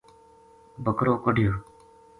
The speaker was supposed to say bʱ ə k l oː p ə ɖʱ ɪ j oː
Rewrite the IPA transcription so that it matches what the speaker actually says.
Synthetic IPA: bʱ ə k ɾ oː k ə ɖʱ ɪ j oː